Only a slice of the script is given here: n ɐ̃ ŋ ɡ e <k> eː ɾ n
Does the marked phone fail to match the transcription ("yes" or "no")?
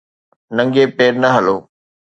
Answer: yes